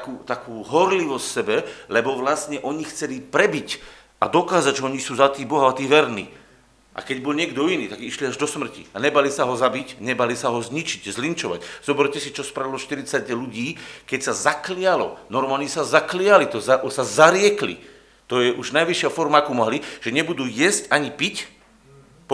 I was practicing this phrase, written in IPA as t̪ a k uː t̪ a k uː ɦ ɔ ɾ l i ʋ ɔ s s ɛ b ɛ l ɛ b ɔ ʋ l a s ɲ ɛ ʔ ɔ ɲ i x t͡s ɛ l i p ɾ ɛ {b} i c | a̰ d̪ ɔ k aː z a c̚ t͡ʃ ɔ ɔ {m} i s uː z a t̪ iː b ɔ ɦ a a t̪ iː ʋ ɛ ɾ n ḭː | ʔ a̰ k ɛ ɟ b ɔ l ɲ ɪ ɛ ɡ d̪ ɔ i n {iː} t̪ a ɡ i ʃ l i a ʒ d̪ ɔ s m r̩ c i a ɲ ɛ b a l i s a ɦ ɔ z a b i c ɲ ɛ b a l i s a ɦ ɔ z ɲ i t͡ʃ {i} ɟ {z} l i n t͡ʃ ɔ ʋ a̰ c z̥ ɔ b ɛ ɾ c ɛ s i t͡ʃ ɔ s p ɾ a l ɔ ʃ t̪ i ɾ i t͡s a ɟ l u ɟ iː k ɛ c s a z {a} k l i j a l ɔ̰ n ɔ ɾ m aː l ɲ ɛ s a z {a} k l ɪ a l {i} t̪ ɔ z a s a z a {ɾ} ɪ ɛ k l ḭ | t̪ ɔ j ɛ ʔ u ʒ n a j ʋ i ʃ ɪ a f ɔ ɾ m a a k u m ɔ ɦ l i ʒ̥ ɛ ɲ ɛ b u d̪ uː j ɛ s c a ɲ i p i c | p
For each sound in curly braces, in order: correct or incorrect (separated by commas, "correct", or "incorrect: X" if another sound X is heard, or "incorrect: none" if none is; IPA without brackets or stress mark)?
correct, incorrect: ɲ, correct, correct, correct, correct, correct, correct, correct